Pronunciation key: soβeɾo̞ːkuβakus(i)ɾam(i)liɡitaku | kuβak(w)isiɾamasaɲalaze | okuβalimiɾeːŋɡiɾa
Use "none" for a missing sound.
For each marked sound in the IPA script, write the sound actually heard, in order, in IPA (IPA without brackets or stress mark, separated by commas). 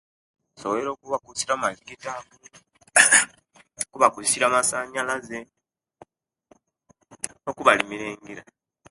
i, a, u